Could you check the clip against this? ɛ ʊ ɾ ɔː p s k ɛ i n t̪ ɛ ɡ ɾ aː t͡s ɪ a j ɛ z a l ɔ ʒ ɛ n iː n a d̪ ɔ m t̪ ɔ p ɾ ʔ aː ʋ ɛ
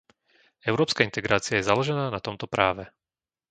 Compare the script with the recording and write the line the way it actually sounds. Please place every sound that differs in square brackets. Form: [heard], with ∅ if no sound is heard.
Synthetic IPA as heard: ɛ ʊ ɾ ɔː p s k [a] i n t̪ ɛ ɡ ɾ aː t͡s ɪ a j ɛ z a l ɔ ʒ ɛ n [aː] n a [t̪] ɔ m t̪ ɔ p ɾ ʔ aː ʋ ɛ